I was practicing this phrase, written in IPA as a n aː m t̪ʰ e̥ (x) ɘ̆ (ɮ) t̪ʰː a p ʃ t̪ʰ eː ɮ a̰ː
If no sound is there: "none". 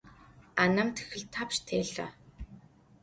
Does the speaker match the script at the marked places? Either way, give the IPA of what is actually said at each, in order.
x, ɮ

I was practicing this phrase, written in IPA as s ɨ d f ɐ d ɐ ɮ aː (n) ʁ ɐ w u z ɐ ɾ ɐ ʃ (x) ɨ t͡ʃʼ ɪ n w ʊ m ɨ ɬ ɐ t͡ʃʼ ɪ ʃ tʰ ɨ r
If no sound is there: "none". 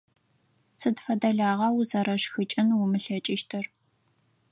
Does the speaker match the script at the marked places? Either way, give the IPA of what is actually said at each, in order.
none, x

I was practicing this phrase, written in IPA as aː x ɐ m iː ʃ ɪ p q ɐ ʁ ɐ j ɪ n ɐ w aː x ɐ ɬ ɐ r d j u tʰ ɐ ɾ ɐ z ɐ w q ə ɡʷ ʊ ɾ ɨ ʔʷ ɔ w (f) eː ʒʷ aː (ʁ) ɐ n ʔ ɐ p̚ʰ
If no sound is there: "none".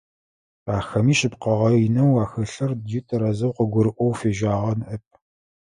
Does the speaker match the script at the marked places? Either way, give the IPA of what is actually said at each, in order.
f, ʁ

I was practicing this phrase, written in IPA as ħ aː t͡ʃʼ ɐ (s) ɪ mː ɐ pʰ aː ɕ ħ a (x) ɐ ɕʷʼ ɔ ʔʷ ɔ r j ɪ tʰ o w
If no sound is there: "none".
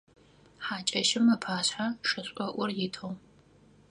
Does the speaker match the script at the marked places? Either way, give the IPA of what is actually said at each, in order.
ʃ, ʂ

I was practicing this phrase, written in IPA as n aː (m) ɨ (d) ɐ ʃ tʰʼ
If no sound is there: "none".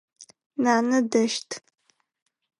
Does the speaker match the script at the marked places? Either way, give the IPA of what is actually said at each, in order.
n, d

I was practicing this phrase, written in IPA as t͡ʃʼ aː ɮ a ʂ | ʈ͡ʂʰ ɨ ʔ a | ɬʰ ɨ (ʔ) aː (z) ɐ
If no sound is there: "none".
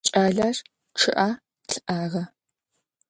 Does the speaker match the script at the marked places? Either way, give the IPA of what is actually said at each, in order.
ʔ, ʁ

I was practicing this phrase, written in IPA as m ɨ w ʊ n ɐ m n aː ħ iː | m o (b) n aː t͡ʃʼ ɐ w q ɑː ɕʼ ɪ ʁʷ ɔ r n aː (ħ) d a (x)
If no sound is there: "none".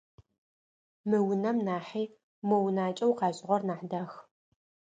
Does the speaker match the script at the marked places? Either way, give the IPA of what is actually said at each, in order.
w, ħ, x

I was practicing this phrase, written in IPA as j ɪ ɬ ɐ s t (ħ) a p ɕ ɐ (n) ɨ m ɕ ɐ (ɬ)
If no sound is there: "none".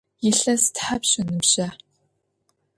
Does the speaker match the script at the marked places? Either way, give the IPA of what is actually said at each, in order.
ħ, n, none

